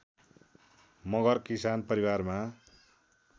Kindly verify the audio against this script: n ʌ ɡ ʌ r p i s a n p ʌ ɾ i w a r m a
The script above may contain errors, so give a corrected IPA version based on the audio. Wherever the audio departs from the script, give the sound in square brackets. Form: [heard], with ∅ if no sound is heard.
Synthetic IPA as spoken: [m] ʌ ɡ ʌ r [k] i s a n p ʌ ɾ i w a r m a